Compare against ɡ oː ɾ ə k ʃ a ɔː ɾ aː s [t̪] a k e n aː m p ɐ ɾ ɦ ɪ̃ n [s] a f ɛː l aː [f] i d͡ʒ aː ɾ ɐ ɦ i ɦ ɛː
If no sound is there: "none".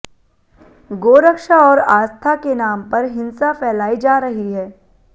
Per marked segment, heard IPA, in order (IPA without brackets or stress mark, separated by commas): t̪ʰ, s, none